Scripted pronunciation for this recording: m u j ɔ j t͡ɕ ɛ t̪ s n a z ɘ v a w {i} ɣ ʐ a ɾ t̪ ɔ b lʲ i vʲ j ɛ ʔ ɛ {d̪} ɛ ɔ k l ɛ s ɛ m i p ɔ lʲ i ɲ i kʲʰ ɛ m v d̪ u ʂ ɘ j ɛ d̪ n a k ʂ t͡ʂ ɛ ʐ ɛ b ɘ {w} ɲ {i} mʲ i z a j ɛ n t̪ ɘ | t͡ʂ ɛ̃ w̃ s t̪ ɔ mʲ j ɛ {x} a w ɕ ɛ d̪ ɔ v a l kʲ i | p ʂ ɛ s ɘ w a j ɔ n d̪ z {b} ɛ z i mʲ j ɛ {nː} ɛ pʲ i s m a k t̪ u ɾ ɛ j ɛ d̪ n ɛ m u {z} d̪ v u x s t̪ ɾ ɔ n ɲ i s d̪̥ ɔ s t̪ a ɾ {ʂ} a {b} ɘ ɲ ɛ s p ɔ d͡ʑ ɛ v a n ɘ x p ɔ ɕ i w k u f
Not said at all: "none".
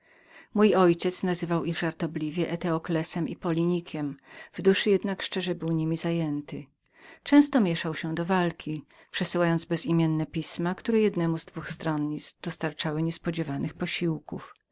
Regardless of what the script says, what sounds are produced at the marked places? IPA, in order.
i, t̪, w, i, ʂ, b, nː, z, t͡ʂ, w

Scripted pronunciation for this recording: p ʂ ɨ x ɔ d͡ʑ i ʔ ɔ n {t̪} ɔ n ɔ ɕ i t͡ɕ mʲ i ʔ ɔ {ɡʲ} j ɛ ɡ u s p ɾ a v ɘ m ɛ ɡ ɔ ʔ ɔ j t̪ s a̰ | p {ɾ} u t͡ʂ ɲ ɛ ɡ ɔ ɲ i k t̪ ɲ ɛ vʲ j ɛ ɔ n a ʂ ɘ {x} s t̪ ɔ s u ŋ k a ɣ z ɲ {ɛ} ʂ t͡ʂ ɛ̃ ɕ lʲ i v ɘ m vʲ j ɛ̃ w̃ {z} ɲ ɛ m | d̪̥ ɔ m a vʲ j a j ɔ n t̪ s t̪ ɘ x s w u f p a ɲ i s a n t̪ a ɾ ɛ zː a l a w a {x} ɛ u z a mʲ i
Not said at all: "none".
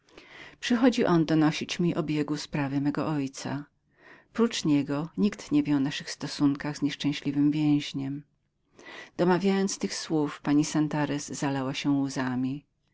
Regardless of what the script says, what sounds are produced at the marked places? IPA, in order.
d̪, bʲ, ɾ, x, ɛ, ʑ, ɕ

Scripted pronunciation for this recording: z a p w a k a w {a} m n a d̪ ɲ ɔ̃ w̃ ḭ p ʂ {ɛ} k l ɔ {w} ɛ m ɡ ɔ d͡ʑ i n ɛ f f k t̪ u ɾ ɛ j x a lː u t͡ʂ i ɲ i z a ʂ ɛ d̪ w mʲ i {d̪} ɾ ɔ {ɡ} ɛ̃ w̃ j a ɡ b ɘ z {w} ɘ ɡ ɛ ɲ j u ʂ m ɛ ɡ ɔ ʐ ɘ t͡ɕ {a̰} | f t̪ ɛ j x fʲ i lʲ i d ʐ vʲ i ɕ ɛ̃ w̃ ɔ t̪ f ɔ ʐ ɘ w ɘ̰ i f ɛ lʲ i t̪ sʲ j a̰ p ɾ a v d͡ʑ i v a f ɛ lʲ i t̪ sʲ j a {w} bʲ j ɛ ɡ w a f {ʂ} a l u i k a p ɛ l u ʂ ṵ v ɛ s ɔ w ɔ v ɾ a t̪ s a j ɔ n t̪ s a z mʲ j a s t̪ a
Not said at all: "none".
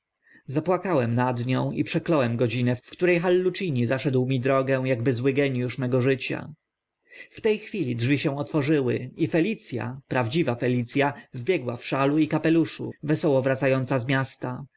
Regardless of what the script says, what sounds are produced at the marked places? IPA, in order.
ɛ, ɛ, w, d̪, ɡ, w, a̰, v, ʂ

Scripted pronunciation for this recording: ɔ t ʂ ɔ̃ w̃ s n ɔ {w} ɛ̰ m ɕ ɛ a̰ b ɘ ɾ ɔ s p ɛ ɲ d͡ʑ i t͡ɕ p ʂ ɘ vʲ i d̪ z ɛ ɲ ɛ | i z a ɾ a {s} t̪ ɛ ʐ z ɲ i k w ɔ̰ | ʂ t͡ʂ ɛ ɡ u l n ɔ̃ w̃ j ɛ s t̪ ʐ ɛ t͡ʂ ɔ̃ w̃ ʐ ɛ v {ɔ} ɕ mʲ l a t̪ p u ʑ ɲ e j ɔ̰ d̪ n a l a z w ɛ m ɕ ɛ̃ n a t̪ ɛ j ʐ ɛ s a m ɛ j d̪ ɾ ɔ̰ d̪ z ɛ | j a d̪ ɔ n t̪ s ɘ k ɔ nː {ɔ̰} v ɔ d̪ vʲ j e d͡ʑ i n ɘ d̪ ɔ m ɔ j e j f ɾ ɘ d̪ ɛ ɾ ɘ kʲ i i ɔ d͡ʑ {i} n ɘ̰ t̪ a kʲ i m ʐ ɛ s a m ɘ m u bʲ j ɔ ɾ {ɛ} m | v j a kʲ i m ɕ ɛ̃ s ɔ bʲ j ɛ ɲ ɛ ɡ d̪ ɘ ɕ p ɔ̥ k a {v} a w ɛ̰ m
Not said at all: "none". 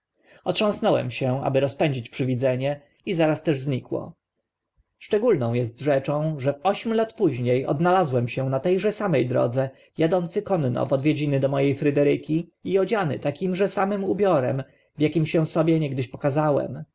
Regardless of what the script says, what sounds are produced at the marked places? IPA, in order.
w, s, ɔ, ɔ̰, a, ɛ, z

